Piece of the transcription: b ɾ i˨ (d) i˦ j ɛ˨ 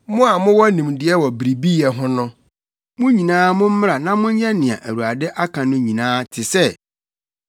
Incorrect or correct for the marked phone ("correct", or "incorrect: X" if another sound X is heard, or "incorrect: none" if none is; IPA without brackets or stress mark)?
incorrect: b